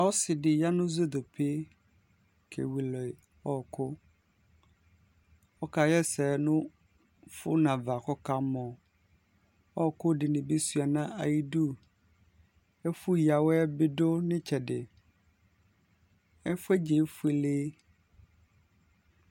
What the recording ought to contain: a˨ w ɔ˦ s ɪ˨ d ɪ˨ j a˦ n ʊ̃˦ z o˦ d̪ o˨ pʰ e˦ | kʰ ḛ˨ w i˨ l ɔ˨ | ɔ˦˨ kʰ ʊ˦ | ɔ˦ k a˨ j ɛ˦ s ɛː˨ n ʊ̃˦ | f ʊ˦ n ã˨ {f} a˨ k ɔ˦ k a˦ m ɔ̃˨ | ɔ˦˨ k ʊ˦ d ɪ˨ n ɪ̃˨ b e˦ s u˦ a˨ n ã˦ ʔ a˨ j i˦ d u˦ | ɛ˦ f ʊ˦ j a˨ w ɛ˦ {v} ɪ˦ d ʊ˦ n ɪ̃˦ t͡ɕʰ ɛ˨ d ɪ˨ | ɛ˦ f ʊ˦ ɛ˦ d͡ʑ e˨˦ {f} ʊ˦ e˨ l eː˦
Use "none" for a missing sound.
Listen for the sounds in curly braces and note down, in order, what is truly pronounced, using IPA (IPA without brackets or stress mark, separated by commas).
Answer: v, b, f